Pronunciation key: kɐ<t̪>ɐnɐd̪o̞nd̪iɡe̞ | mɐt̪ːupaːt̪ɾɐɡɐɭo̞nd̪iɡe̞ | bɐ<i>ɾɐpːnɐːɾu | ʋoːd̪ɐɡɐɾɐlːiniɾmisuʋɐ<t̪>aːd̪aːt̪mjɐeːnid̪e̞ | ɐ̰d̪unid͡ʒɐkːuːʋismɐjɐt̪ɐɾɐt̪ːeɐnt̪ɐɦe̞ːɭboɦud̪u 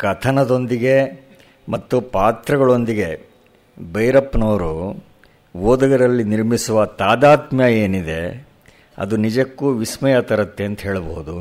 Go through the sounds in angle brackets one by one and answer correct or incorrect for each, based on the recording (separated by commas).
incorrect, incorrect, correct